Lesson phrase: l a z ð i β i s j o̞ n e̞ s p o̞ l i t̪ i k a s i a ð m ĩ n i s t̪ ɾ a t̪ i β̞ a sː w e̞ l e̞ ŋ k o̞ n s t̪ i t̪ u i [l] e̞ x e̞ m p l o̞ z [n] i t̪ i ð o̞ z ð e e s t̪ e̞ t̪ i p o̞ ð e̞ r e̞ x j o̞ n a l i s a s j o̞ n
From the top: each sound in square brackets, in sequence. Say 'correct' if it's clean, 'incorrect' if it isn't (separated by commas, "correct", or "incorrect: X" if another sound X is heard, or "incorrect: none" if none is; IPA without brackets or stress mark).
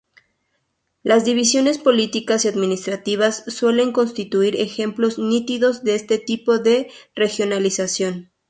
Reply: incorrect: ɾ, correct